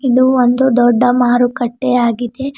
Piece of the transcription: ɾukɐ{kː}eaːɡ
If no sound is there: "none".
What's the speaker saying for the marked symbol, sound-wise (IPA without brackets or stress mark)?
ʈː